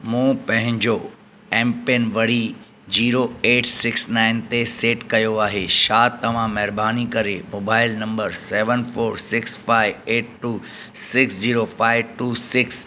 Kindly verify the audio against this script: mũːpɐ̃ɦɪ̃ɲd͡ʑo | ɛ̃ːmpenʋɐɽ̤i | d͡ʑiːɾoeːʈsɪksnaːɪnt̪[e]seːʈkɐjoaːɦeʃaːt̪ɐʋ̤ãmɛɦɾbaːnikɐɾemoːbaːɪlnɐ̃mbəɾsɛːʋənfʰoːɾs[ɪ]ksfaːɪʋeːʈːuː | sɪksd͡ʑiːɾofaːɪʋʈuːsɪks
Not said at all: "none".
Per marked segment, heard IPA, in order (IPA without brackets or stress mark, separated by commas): e, ɪ